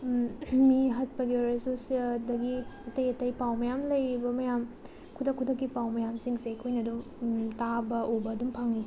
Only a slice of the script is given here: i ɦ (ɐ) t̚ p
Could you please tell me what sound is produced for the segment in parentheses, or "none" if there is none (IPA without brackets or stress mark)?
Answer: ɐ